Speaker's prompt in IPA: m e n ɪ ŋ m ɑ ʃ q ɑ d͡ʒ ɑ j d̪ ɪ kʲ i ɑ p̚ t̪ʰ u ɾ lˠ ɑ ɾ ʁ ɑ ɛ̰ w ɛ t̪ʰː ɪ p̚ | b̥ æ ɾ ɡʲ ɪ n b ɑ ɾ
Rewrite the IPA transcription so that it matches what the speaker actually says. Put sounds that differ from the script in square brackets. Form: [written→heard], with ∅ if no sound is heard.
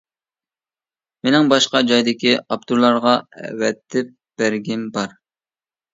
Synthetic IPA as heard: m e n ɪ ŋ [m→b] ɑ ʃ q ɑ d͡ʒ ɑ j d̪ ɪ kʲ i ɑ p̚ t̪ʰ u ɾ lˠ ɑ ɾ ʁ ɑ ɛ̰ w ɛ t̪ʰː ɪ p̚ | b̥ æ ɾ ɡʲ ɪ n b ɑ ɾ